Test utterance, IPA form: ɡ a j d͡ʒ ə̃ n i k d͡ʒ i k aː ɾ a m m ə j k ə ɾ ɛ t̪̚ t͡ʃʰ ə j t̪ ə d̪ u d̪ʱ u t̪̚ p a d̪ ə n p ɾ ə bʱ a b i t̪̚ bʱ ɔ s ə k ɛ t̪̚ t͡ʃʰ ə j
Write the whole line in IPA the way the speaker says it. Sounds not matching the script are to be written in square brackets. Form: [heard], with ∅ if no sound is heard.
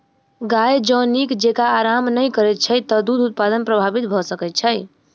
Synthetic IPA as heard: ɡ a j d͡ʒ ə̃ n i k d͡ʒ [e] k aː ɾ a m [n] ə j k ə ɾ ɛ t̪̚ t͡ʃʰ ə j t̪ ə d̪ u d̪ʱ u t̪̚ p a d̪ ə n p ɾ ə bʱ a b i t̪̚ bʱ ɔ s ə k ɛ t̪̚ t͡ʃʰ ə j

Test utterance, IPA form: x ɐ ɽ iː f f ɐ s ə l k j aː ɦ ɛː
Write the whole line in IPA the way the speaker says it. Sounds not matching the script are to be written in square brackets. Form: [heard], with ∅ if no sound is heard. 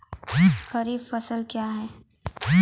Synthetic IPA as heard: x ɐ [ɾ] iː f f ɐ s ə l k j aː ɦ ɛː

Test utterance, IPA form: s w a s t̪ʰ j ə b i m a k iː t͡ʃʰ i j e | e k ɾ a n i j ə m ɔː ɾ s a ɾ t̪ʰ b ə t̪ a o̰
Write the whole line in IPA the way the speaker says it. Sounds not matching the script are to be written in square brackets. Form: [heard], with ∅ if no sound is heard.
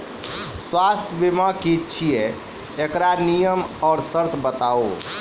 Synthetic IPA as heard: s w a s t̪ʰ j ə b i m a k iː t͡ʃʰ i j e | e k ɾ a n i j ə m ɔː ɾ s [ə] ɾ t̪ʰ b ə t̪ a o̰

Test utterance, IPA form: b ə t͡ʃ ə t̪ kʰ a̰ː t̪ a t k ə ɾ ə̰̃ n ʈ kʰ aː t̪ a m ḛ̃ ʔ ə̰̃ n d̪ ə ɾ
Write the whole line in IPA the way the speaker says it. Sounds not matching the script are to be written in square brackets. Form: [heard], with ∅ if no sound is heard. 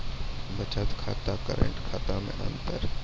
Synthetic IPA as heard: b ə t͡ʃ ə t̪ kʰ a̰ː t̪ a t k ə ɾ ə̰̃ [ɳ] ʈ kʰ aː t̪ a m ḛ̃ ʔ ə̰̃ n [t̪] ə ɾ

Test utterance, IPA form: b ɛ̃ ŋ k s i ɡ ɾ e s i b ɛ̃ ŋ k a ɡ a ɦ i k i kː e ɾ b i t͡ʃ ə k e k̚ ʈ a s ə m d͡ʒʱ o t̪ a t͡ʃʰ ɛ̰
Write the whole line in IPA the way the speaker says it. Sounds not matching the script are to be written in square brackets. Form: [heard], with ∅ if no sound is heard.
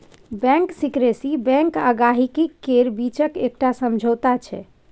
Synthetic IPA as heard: b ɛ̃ ŋ k s i [k] ɾ e s i b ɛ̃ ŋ k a ɡ a ɦ i k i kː e ɾ b i t͡ʃ ə k e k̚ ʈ a s ə m d͡ʒʱ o t̪ a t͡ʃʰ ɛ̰

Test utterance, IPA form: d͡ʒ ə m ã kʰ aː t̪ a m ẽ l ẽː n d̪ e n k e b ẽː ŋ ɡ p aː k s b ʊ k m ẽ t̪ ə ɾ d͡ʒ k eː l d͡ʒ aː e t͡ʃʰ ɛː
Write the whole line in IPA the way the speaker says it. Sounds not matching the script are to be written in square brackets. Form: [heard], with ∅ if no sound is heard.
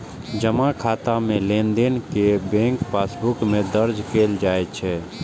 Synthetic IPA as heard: d͡ʒ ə m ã kʰ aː t̪ a m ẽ l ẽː n d̪ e n k e b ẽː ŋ [k] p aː [∅] s b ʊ k m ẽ [d̪] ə ɾ d͡ʒ k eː l d͡ʒ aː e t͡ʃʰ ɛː

